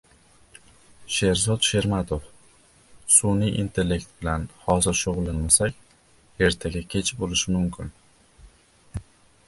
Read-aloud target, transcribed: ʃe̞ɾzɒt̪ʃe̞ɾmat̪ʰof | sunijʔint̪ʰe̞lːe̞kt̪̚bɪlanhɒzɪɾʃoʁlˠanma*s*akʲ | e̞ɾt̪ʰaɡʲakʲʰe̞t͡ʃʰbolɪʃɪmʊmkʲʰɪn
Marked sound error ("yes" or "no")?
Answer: no